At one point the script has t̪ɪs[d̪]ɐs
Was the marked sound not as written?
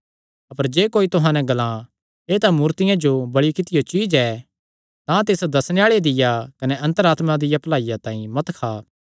no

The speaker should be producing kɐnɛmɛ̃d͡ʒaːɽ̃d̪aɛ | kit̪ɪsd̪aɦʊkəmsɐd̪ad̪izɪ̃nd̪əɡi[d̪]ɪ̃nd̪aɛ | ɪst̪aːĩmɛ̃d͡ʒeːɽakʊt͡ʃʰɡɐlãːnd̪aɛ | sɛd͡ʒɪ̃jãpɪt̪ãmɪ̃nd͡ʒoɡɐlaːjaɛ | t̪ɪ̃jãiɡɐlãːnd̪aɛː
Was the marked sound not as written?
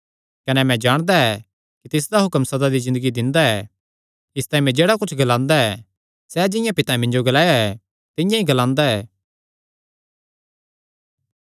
no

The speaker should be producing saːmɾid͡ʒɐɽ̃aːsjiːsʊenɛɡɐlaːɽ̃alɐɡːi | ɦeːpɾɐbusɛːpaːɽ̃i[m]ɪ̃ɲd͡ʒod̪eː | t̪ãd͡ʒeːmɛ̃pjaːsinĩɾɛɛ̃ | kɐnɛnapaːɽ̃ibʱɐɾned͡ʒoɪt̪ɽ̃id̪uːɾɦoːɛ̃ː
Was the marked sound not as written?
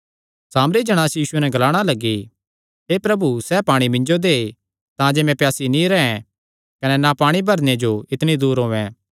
no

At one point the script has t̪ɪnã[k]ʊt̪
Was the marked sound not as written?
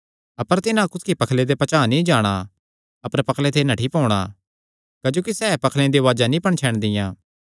no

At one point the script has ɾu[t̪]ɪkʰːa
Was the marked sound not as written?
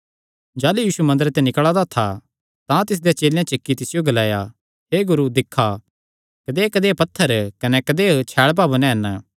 yes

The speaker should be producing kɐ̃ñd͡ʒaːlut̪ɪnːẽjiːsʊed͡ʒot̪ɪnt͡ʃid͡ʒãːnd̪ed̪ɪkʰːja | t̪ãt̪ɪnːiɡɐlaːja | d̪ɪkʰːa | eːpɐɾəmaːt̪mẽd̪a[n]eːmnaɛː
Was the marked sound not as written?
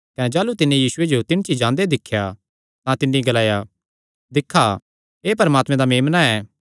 yes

